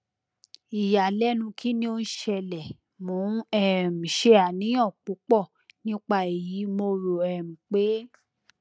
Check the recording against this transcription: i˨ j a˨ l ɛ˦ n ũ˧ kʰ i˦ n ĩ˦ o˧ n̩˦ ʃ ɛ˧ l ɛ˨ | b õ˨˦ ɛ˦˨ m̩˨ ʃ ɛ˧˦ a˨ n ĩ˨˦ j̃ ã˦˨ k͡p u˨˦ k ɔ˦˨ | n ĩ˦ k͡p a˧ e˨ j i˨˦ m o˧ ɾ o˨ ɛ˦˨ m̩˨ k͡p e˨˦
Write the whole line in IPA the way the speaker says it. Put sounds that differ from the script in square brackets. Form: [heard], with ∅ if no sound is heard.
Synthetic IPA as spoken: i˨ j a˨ l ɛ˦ n ũ˧ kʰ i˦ n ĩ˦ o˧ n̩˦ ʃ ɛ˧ l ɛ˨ | [m] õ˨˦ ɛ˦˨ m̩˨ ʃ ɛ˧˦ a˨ n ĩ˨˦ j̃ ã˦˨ k͡p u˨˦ [k͡p] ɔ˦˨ | n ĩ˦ k͡p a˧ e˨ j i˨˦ m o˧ ɾ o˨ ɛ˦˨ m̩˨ k͡p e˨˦